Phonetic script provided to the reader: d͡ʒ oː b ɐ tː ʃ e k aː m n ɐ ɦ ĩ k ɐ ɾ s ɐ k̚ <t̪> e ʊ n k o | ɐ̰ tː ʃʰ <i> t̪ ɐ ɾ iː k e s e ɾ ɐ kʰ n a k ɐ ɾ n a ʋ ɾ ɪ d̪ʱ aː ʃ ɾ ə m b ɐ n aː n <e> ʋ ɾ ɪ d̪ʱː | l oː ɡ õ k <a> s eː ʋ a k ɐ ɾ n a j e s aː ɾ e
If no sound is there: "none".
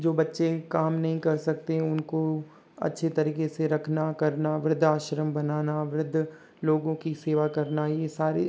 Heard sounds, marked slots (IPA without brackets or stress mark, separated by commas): t̪, e, a, i